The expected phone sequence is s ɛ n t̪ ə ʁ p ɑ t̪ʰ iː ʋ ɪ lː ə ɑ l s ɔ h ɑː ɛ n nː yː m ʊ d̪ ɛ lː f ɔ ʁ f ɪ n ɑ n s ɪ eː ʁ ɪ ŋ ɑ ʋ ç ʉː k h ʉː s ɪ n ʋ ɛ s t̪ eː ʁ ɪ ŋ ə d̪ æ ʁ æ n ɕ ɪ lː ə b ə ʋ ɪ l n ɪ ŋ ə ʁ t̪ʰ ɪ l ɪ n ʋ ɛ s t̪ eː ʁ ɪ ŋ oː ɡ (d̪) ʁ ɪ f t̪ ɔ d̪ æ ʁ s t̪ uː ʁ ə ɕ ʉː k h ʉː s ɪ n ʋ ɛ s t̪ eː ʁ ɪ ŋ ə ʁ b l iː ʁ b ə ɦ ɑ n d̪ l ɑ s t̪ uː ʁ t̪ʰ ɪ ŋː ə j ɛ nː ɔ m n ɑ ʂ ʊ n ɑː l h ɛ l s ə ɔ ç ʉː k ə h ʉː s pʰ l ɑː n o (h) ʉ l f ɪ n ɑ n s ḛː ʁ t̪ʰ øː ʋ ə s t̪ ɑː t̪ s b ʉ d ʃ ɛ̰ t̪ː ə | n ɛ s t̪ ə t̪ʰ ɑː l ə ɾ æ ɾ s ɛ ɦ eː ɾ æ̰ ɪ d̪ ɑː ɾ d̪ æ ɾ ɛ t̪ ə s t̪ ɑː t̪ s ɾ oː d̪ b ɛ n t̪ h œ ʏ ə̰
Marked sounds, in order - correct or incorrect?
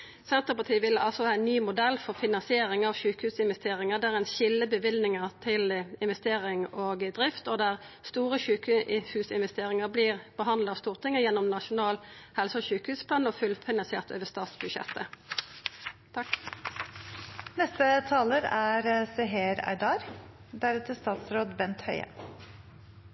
correct, incorrect

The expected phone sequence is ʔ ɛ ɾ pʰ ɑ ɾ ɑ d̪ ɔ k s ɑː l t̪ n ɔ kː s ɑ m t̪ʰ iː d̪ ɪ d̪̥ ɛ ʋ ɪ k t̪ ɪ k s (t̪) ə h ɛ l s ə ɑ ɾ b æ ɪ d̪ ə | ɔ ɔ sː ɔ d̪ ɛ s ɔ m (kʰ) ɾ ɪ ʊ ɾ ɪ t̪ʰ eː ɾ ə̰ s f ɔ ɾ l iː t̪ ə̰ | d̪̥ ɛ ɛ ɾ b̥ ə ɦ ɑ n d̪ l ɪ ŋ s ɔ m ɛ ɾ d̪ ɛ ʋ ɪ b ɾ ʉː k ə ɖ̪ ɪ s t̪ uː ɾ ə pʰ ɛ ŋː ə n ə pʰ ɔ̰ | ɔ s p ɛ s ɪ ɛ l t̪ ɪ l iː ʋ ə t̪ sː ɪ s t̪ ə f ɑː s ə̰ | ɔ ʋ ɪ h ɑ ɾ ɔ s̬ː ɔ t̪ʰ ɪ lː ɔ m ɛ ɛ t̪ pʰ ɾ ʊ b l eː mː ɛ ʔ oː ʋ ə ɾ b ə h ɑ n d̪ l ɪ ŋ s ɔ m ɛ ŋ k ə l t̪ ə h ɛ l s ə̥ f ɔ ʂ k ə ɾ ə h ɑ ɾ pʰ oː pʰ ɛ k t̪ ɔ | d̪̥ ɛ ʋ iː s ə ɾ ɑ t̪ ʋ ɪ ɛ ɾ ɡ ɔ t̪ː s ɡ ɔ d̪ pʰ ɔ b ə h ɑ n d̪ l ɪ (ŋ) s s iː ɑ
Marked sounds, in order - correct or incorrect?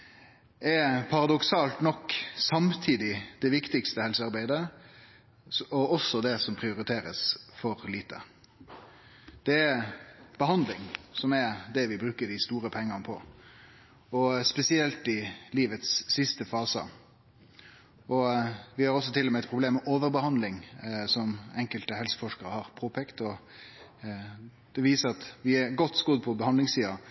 correct, incorrect, correct

